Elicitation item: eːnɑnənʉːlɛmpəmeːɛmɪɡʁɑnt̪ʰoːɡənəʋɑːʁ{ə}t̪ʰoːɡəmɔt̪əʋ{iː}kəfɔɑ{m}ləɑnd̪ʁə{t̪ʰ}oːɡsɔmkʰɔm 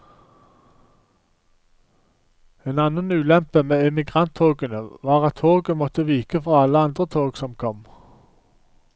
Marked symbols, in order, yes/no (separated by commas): no, yes, no, yes